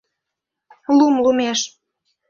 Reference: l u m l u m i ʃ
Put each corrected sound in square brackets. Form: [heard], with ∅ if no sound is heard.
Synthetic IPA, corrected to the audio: l u m l u m [e] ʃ